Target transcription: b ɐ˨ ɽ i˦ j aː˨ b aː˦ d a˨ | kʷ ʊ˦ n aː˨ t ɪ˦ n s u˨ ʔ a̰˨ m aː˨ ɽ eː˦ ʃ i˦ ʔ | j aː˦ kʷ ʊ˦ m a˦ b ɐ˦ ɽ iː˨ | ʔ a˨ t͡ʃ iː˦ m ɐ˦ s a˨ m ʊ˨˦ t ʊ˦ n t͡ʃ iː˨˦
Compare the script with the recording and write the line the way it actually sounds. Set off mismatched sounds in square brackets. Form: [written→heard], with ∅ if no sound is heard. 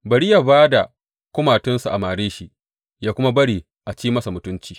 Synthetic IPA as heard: b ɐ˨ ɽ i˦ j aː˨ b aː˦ d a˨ | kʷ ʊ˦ [n→m] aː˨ t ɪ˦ n s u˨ ʔ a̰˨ m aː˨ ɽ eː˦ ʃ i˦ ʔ | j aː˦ kʷ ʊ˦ m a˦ b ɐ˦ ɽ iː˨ | ʔ a˨ t͡ʃ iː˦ m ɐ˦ s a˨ m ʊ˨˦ t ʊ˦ n t͡ʃ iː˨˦